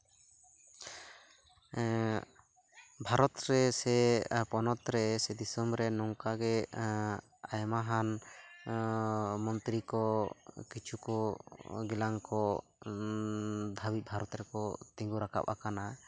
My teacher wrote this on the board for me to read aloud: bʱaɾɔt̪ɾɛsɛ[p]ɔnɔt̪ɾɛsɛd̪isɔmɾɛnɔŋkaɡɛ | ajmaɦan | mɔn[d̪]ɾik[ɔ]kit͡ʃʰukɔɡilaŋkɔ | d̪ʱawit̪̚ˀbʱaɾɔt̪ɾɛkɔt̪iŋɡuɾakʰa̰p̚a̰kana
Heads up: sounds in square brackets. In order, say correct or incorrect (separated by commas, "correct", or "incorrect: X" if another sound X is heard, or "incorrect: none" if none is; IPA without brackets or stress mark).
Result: correct, incorrect: t̪, correct